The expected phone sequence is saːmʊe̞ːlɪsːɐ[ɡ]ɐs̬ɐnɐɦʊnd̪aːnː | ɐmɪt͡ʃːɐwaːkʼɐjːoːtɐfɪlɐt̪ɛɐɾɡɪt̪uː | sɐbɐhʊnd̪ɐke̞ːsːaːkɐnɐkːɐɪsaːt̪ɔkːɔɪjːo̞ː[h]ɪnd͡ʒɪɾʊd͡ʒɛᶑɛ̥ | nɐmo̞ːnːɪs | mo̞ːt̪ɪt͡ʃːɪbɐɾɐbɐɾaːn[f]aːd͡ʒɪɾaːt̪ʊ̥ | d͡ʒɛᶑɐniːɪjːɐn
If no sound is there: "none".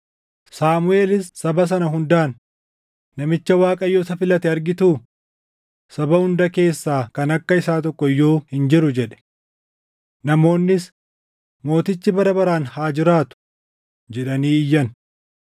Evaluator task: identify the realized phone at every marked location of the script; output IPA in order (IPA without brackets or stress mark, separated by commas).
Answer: b, h, h